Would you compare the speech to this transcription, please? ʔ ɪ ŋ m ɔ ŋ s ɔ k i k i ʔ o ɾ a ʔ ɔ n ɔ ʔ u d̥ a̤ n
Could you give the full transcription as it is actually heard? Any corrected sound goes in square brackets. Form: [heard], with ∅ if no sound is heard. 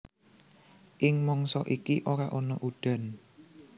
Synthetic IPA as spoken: ʔ ɪ ŋ m ɔ ŋ s ɔ [ʔ] i k i ʔ o ɾ a ʔ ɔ n ɔ ʔ u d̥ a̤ n